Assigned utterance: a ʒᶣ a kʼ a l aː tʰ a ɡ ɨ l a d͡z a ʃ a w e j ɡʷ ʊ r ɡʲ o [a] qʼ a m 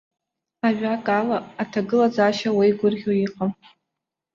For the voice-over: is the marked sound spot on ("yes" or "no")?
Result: no